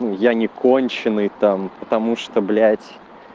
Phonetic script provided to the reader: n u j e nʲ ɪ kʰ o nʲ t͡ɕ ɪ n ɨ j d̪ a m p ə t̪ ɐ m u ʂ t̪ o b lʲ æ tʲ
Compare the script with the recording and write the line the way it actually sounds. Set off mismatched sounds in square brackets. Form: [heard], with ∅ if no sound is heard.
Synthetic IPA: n u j [a] nʲ ɪ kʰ o nʲ t͡ɕ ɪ n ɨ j [t̪] a m p ə t̪ ɐ m u ʂ t̪ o b lʲ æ tʲ